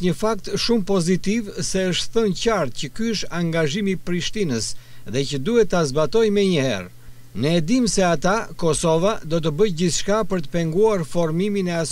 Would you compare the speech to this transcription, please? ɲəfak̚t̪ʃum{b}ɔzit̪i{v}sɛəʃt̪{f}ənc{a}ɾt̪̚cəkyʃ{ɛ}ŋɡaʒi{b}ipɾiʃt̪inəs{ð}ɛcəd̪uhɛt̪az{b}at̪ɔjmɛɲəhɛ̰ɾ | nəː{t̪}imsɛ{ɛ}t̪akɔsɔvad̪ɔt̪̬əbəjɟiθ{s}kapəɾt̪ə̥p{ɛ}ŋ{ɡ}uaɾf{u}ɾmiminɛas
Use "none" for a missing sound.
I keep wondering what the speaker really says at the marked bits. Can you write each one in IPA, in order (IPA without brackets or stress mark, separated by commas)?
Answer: p, v, θ, a, a, m, ð, b, d̪, a, ʃ, ɛ, ɡ, ɔ